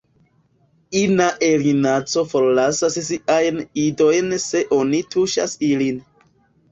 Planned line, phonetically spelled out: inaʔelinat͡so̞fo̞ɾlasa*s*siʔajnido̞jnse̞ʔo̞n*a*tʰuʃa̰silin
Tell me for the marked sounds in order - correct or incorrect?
correct, incorrect

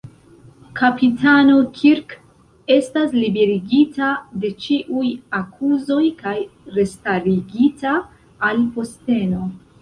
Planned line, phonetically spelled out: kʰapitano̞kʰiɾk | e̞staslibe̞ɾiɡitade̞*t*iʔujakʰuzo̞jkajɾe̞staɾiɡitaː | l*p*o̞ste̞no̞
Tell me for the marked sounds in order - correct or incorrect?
incorrect, correct

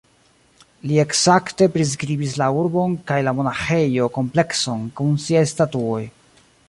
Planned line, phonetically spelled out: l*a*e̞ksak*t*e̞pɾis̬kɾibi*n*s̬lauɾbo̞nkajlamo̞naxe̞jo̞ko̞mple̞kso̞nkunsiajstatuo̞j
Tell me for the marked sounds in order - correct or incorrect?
incorrect, correct, incorrect

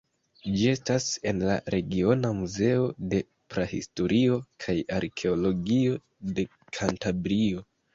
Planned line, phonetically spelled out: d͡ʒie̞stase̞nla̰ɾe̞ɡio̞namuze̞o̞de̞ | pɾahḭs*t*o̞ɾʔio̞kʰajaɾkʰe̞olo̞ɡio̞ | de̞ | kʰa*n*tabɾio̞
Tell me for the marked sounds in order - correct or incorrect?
correct, correct

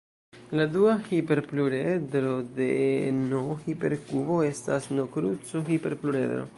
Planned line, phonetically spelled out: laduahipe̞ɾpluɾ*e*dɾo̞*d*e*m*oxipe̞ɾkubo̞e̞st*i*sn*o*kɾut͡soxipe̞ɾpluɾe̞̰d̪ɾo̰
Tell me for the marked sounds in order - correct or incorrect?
correct, correct, incorrect, incorrect, correct

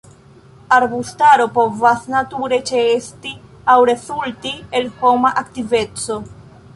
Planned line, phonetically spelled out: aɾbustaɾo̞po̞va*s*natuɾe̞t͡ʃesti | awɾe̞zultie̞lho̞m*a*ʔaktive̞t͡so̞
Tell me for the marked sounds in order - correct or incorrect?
correct, correct

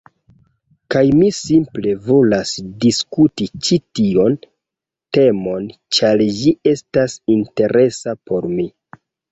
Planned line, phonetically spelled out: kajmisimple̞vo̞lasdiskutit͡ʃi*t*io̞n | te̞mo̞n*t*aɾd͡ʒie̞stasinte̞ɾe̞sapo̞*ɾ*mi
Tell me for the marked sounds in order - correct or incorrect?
correct, incorrect, correct

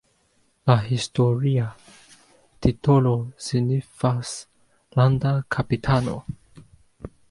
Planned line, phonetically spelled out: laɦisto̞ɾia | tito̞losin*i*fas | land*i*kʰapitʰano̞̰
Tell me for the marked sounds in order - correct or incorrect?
correct, incorrect

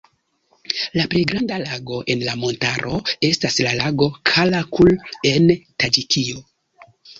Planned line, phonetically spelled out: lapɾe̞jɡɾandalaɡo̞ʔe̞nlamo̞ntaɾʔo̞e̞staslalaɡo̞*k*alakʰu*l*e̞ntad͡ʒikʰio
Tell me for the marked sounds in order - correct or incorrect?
incorrect, correct

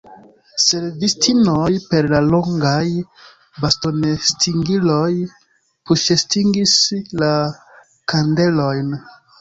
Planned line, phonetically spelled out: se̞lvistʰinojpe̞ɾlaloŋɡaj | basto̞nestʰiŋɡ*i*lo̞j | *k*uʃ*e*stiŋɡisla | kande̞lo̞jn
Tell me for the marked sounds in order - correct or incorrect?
correct, incorrect, correct

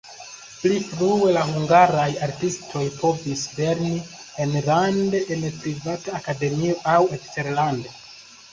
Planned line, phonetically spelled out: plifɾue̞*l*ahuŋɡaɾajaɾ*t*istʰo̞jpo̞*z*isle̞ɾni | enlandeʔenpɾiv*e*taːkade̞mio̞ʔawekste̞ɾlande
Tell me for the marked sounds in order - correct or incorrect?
correct, correct, incorrect, incorrect

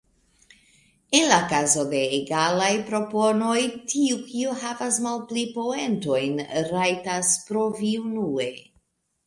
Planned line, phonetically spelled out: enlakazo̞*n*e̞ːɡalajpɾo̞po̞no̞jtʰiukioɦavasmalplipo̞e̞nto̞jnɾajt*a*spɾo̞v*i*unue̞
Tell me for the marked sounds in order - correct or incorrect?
incorrect, correct, correct

